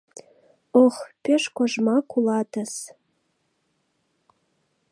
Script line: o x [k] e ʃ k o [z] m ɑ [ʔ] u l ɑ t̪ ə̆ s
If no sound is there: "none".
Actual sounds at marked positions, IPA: p, ʒ, k

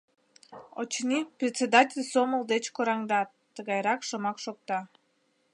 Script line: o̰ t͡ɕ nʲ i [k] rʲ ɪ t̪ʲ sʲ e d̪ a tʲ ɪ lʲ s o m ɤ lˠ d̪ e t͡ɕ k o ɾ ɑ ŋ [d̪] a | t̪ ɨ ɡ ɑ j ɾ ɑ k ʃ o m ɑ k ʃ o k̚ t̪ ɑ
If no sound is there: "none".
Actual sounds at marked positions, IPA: p, d̪

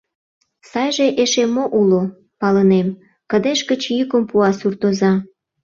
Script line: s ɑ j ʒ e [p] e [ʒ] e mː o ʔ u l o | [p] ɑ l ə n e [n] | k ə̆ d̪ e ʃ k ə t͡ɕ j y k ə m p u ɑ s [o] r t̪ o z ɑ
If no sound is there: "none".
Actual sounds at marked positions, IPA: ʔ, ʃ, p, m, u

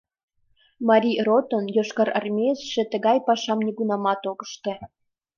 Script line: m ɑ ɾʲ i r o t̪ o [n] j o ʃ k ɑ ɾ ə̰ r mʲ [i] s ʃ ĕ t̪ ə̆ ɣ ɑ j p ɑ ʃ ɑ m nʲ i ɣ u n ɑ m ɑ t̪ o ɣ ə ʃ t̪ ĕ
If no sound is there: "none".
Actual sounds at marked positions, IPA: n, e

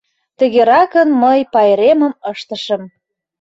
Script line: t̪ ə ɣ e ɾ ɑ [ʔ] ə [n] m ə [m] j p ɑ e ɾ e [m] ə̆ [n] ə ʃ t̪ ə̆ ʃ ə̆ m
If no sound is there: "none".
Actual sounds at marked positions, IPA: k, n, none, m, m

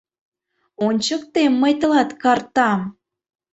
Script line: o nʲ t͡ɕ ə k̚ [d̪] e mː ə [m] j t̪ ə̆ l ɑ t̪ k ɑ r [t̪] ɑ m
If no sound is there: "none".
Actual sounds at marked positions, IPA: t̪, none, t̪

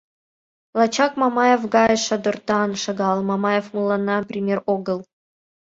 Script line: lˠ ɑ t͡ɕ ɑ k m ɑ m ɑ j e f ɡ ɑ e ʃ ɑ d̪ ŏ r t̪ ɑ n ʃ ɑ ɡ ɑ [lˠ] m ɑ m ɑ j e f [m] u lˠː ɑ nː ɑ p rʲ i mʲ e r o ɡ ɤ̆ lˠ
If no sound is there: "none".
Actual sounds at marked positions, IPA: lˠ, m

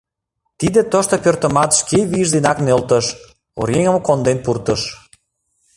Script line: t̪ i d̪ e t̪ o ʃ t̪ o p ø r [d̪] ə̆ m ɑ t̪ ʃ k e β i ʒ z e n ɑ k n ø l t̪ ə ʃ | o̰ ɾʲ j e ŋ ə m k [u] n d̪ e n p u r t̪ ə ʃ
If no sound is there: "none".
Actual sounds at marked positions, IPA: t̪, o

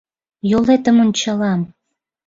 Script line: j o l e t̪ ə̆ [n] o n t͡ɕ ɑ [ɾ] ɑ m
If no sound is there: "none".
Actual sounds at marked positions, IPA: m, l

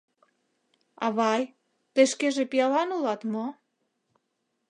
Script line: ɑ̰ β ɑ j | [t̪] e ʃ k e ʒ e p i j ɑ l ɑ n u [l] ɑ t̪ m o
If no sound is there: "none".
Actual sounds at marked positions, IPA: t̪, l

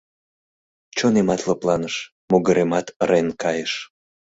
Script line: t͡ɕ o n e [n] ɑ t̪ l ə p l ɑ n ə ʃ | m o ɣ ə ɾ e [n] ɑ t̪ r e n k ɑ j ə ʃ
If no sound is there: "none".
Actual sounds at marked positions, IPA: m, m

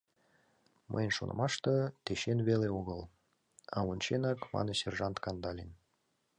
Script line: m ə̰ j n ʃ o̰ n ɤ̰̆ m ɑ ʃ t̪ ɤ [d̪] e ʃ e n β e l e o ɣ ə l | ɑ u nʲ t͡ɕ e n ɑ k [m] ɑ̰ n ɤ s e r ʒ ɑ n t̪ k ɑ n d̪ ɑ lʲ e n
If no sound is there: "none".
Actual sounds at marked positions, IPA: t̪, m

